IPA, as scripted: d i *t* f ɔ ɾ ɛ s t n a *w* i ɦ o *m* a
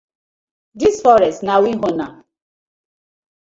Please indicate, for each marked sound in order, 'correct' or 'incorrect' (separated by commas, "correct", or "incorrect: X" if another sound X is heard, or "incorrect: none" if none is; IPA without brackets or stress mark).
incorrect: s, correct, incorrect: n